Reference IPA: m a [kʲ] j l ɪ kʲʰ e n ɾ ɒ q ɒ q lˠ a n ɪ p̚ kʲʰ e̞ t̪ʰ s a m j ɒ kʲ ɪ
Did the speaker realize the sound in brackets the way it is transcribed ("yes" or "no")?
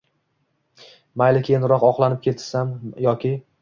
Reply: no